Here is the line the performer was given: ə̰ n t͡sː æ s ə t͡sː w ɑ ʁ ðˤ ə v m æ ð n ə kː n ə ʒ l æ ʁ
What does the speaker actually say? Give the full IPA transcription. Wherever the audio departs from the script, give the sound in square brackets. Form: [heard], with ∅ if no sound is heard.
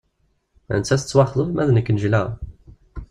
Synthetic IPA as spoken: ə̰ n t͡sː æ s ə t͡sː w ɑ [χ] ðˤ ə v m æ ð n ə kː n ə ʒ l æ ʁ